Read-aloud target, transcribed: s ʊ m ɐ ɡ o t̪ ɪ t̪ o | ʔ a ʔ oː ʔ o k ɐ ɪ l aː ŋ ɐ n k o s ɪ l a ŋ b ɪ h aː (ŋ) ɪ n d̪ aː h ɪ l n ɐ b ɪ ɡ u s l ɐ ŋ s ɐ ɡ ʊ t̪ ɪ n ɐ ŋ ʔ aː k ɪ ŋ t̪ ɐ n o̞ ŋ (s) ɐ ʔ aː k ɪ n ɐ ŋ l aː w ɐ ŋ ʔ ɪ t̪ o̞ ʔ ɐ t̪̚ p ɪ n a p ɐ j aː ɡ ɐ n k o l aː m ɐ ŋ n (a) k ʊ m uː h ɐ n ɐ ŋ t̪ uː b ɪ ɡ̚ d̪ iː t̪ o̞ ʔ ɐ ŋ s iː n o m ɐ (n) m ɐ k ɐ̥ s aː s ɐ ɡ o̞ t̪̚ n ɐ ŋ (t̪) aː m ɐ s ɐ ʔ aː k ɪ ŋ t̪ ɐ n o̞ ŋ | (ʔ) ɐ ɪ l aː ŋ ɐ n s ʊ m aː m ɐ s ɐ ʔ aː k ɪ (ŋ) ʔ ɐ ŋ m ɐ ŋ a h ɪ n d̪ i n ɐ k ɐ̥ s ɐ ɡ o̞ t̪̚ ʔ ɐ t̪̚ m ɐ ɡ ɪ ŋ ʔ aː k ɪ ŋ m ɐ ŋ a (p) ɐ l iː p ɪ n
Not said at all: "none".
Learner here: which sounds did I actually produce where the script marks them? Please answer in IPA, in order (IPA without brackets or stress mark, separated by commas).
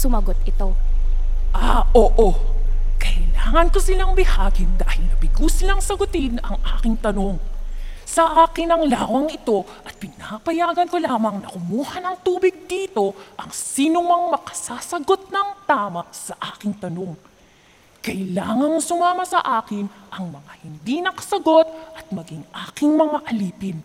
ɡ, s, ɐ, ŋ, t̪, k, n, ʔ